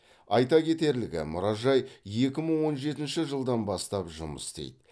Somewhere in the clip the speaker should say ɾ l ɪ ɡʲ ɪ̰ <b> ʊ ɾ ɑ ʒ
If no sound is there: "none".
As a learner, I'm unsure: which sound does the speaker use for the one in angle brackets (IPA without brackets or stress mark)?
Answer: m